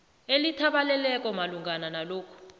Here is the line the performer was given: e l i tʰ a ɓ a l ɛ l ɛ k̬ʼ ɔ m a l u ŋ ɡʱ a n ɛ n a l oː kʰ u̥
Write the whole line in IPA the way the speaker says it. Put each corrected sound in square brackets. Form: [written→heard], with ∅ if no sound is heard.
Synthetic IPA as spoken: e l i tʰ a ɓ a l ɛ l ɛ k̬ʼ ɔ m a l u ŋ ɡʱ a n [ɛ→a] n a l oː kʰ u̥